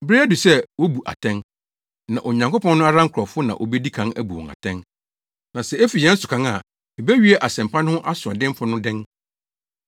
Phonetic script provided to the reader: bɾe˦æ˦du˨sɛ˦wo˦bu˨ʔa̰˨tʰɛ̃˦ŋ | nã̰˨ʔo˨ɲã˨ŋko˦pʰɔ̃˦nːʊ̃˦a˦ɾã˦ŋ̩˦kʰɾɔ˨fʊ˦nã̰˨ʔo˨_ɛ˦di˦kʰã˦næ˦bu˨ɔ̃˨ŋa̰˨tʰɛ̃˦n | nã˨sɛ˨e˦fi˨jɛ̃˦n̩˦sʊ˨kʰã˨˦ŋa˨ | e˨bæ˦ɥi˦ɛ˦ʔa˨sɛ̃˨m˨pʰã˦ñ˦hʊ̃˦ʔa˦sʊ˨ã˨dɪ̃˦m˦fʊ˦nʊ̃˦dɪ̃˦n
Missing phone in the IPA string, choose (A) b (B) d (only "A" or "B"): A